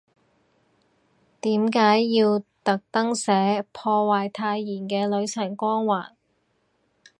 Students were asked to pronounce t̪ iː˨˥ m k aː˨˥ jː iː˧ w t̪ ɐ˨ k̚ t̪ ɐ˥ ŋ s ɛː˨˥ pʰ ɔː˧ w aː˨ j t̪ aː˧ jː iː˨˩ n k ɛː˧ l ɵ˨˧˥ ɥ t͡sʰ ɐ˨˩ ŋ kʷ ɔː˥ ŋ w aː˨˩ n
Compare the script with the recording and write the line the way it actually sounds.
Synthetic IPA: t̪ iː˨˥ m k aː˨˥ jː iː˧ w t̪ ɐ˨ k̚ t̪ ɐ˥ ŋ s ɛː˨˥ pʰ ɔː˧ w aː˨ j t̪ʰ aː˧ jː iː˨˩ n k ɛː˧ l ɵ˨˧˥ ɥ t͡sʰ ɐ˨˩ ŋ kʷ ɔː˥ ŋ w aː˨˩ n